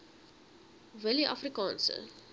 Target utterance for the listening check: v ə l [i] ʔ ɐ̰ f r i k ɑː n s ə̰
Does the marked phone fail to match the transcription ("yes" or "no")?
no